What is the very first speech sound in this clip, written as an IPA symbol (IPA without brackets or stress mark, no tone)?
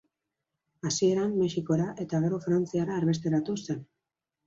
a